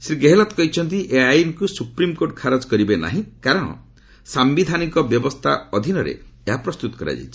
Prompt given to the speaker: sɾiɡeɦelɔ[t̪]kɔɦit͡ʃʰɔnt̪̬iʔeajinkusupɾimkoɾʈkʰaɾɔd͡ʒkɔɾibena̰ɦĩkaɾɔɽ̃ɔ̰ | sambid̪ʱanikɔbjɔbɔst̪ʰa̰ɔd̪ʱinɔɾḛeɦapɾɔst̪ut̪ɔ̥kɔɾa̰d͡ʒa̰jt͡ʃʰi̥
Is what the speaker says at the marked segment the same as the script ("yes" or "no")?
yes